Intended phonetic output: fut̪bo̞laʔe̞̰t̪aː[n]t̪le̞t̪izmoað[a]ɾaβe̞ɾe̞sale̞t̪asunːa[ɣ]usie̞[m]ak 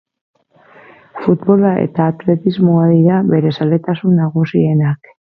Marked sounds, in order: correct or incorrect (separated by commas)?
incorrect, incorrect, correct, incorrect